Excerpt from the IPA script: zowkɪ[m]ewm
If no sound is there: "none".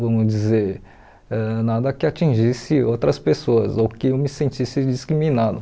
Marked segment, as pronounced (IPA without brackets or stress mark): none